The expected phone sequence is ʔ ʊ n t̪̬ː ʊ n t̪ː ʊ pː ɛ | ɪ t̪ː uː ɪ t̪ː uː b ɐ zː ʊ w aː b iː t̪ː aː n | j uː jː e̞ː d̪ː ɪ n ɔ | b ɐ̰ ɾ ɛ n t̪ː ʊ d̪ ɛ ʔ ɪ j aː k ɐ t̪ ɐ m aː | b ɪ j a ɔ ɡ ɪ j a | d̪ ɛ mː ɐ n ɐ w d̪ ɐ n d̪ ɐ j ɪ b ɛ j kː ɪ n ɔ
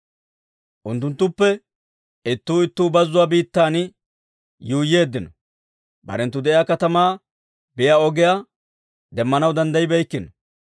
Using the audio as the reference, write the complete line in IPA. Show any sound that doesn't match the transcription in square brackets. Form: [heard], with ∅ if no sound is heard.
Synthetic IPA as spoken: ʔ ʊ n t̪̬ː ʊ n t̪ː ʊ pː ɛ | ɪ t̪ː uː ɪ t̪ː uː b ɐ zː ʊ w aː b iː t̪ː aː n | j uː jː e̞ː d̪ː ɪ n ɔ | b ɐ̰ ɾ ɛ n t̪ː ʊ d̪ ɛ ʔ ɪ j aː k ɐ t̪ ɐ m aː | b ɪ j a ɔ ɡ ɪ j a | d̪ ɛ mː ɐ n ɐ w d̪ ɐ n d̪ ɐ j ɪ b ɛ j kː ɪ n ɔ